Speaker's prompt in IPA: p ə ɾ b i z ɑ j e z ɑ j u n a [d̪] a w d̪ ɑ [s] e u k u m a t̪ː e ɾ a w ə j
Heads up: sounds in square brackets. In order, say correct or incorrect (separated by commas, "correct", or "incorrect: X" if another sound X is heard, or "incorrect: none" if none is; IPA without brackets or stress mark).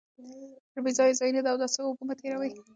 correct, correct